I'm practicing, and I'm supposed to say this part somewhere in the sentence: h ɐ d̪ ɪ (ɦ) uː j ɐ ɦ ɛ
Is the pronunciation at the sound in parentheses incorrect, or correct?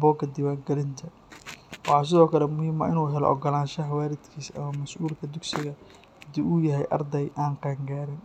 incorrect: none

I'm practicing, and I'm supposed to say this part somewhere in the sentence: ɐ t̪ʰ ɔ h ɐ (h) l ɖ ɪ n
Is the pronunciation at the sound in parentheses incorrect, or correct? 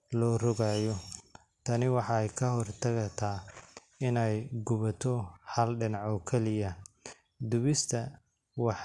incorrect: none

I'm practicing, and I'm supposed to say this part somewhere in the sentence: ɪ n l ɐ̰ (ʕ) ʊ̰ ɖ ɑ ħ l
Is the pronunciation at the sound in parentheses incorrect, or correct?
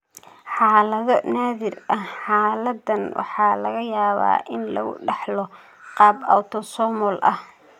incorrect: ɣ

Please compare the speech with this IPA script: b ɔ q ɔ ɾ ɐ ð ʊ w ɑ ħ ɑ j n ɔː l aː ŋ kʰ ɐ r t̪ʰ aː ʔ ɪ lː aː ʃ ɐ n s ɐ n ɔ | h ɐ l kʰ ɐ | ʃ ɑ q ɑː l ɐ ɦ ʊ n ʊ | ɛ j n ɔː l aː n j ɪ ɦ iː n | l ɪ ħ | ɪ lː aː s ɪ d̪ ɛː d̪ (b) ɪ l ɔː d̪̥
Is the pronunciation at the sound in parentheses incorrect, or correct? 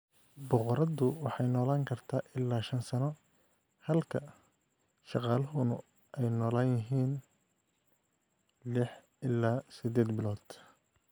correct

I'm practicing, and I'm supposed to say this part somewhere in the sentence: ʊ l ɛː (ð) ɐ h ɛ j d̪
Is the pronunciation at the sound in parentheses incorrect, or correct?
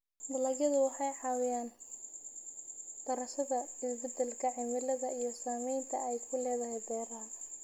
correct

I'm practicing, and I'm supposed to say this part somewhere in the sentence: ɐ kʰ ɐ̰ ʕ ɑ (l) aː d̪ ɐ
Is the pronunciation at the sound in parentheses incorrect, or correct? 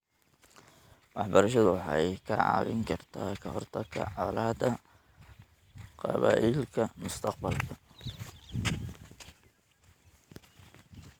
correct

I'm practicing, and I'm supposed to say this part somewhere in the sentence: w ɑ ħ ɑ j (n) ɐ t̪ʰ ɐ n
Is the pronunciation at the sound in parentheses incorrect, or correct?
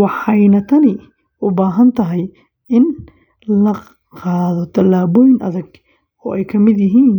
correct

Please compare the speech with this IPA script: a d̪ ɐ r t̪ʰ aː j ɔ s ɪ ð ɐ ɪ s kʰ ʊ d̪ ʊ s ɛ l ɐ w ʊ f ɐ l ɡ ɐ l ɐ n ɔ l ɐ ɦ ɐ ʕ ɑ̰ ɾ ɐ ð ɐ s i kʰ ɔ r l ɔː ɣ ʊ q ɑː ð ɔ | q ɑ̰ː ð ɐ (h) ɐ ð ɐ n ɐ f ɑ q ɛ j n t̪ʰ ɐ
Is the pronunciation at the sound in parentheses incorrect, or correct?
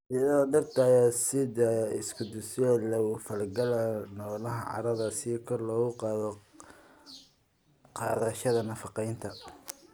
incorrect: ʃ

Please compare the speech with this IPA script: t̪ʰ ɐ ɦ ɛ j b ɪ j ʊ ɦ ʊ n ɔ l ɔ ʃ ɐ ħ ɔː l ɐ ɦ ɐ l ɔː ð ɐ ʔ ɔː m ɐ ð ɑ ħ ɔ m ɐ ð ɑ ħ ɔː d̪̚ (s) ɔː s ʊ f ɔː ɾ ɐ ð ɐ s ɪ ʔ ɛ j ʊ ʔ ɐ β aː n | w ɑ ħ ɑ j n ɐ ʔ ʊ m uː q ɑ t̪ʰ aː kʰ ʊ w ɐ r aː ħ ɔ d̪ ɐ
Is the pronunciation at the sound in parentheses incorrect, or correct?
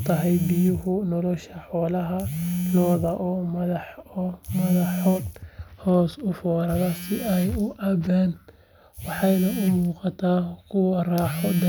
incorrect: h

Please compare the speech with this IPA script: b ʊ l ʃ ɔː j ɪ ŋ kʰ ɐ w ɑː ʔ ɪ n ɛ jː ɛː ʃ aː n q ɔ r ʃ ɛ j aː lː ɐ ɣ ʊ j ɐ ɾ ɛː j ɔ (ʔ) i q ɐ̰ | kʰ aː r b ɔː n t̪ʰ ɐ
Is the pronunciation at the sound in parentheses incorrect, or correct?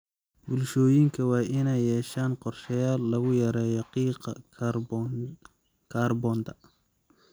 incorrect: q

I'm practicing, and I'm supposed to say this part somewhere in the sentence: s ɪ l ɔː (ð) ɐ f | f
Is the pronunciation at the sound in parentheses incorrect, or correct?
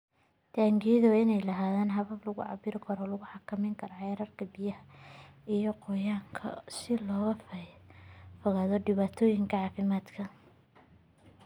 incorrect: ɣ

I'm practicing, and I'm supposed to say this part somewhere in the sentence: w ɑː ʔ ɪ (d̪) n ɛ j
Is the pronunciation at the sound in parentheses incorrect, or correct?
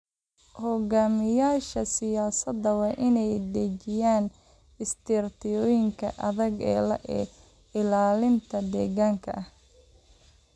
incorrect: none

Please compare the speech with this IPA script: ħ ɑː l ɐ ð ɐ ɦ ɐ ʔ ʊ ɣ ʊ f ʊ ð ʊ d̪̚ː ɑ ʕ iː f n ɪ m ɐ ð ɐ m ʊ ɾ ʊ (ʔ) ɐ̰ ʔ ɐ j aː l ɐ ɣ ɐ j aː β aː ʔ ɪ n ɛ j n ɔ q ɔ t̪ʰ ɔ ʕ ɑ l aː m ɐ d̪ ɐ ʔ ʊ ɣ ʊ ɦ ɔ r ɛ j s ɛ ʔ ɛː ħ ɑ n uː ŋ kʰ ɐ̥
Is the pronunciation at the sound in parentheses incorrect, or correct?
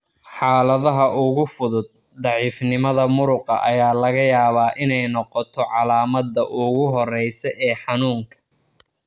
incorrect: q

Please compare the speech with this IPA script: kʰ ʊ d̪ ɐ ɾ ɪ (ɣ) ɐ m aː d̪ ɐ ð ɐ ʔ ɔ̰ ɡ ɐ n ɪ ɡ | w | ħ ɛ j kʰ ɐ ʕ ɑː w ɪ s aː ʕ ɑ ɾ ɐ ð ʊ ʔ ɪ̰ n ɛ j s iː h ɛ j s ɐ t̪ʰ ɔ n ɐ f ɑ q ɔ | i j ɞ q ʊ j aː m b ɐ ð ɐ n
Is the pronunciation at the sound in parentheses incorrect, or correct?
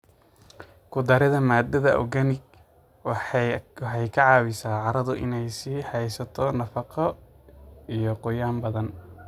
incorrect: ð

